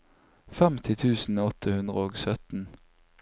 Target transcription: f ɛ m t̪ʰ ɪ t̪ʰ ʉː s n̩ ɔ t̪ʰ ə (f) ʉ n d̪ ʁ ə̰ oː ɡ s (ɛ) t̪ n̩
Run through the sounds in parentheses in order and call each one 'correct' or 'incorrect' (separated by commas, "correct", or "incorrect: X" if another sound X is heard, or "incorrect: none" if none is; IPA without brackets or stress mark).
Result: incorrect: h, incorrect: œ